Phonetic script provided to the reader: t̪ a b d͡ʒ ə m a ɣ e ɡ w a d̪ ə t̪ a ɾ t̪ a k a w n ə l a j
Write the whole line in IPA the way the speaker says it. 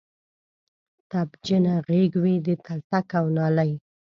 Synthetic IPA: t̪ a b d͡ʒ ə n a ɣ e ɡ w i d̪ ə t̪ a l t̪ a k a w n ɑ l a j